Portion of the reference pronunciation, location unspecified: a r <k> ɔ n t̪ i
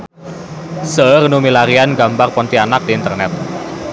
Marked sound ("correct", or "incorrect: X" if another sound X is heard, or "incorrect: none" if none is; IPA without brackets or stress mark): incorrect: p